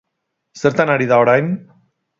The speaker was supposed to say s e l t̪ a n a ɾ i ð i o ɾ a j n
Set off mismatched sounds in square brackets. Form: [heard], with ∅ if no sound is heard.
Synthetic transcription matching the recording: s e [ɾ] t̪ a n a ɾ i ð [a] o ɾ a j n